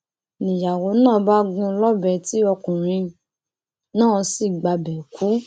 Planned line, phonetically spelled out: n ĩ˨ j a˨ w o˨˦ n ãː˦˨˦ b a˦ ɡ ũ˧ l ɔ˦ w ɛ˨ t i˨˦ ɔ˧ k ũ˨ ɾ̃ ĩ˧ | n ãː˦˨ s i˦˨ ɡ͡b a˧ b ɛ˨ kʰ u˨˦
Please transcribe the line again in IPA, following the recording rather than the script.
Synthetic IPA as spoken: n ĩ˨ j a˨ w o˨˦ n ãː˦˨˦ b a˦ ɡ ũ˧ l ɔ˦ b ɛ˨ t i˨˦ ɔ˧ k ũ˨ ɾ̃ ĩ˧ | n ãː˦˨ s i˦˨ ɡ͡b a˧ b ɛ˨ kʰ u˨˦